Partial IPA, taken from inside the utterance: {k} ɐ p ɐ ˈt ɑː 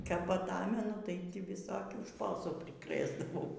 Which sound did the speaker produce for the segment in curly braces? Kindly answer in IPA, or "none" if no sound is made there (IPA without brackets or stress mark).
k